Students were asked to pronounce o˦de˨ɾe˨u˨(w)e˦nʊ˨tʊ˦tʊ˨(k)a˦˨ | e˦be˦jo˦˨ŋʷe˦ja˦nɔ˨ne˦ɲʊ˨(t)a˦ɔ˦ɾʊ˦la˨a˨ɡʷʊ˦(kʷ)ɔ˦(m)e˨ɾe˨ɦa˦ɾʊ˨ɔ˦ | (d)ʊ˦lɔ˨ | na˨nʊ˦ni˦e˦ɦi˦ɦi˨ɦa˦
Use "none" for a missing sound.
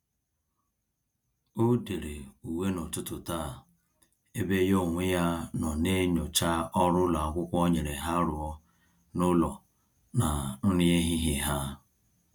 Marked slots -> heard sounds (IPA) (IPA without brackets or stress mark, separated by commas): w, t, t͡ʃ, kʷ, ɲ, n